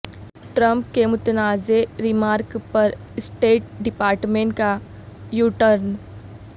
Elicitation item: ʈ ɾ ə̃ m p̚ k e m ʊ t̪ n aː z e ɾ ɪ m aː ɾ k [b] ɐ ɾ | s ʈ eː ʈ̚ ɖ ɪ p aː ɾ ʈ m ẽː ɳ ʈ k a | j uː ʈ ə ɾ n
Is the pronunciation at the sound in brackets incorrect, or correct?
incorrect